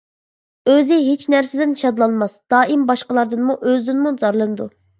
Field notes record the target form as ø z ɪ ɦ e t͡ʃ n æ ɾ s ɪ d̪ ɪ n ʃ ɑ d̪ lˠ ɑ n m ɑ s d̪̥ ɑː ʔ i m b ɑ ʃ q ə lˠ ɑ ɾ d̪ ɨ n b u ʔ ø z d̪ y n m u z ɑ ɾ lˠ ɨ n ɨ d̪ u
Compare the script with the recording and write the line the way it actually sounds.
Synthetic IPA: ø z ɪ ɦ e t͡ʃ n æ ɾ s ɪ d̪ ɪ n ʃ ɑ d̪ lˠ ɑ n m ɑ s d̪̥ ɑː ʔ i m b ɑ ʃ q ə lˠ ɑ ɾ d̪ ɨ n m u ʔ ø z d̪ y n m u z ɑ ɾ lˠ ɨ n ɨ d̪ u